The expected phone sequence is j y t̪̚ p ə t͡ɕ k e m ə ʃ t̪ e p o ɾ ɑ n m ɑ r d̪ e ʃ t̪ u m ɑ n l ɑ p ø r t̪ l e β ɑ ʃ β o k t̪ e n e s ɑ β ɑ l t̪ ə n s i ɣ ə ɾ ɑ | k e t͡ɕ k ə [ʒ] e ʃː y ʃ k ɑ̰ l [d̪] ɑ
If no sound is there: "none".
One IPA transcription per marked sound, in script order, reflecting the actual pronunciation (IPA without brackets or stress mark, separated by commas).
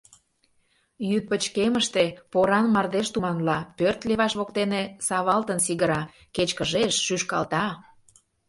ʒ, t̪